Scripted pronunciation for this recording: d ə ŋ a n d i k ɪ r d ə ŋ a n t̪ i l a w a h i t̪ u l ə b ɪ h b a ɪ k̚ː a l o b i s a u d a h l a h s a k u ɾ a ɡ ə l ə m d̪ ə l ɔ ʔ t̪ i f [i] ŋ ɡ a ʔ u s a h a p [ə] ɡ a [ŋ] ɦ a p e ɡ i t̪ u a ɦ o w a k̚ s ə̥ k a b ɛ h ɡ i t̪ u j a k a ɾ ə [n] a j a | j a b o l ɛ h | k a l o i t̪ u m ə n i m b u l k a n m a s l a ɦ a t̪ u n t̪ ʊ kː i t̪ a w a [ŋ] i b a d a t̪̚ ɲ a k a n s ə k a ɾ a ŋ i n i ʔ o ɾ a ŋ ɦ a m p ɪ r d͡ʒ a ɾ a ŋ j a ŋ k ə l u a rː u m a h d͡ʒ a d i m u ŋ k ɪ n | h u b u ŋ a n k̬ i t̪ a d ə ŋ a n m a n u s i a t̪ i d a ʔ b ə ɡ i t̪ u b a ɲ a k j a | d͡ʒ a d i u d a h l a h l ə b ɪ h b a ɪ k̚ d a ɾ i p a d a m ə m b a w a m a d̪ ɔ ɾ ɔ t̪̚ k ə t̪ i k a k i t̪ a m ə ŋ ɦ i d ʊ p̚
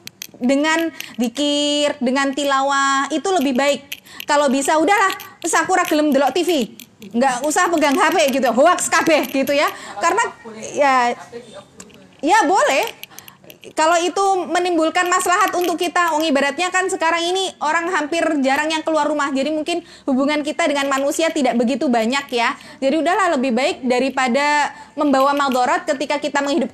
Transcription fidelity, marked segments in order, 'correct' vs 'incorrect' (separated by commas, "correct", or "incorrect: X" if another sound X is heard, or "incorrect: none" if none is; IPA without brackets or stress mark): correct, correct, correct, correct, correct